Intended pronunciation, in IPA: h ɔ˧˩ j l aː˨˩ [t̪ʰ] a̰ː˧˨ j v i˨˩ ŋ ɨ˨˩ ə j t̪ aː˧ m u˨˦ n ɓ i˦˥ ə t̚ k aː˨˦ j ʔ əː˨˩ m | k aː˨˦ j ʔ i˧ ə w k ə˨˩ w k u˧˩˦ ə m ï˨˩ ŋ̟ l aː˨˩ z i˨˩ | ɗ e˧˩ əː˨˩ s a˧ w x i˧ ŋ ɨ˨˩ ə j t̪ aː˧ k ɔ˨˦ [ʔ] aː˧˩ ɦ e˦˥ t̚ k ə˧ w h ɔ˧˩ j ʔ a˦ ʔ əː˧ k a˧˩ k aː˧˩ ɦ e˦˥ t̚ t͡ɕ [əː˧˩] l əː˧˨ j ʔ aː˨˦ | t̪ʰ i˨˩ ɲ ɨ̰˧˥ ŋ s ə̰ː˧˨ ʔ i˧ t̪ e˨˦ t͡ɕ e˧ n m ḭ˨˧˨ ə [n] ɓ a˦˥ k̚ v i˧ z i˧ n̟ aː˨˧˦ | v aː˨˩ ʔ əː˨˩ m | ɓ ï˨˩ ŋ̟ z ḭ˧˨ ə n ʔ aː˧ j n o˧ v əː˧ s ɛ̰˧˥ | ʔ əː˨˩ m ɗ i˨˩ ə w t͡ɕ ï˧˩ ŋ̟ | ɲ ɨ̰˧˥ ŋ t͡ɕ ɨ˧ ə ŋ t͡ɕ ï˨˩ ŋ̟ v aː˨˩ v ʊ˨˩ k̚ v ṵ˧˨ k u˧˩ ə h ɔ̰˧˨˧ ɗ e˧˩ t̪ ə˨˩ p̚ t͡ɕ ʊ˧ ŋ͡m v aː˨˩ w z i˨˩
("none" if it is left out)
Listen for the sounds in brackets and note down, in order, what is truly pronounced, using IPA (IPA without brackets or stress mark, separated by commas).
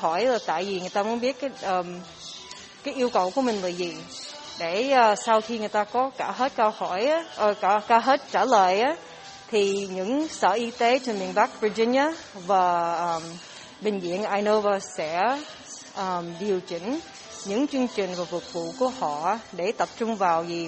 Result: t̪, k, aː˧˩, n